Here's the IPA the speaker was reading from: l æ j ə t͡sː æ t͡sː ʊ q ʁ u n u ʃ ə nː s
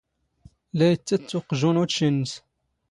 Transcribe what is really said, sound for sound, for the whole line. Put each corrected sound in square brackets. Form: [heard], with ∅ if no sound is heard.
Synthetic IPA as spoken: l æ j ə t͡sː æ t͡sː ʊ q [ʒ] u n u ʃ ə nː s